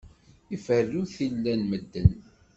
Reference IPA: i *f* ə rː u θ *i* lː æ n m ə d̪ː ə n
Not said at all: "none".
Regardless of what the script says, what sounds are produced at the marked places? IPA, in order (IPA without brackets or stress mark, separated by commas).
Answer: f, i